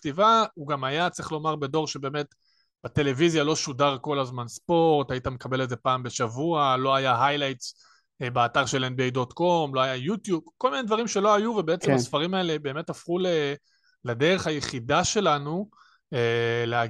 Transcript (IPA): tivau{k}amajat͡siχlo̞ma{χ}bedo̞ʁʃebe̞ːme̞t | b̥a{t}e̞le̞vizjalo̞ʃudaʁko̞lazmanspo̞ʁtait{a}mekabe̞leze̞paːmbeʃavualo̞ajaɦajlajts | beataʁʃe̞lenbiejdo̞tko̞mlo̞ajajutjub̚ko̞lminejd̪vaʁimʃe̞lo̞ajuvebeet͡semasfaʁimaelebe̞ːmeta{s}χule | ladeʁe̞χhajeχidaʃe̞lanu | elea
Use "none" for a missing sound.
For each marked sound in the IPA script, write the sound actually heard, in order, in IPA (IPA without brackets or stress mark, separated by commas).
ɡ, ʁ, t, a, f